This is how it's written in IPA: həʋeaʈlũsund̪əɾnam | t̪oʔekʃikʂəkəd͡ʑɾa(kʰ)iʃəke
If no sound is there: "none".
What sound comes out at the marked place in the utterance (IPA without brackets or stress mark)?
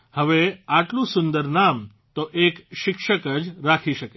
kʰ